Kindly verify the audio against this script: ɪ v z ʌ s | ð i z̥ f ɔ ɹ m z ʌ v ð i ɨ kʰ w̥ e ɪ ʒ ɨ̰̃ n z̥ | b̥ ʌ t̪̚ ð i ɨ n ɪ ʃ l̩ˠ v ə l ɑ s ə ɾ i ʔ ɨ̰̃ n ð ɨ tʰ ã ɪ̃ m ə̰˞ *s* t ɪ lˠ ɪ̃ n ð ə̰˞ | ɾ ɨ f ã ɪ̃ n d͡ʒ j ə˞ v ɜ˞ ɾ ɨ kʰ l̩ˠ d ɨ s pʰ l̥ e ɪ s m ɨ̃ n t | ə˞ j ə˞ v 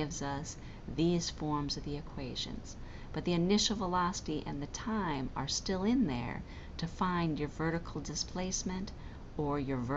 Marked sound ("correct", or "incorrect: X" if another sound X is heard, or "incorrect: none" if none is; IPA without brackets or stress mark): correct